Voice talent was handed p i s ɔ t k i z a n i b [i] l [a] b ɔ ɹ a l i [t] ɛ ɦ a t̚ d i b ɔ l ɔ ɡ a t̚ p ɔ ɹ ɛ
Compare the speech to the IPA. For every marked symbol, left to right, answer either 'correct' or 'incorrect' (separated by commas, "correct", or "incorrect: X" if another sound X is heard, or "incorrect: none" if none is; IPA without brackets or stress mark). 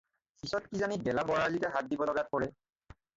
incorrect: ɛ, correct, correct